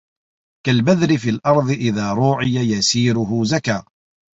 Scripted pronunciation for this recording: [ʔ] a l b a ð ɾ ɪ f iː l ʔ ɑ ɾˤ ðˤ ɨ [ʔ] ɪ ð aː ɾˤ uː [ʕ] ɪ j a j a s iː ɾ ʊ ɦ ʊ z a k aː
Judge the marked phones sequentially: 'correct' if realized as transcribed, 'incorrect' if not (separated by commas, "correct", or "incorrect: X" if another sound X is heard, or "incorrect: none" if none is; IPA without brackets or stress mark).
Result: incorrect: k, correct, correct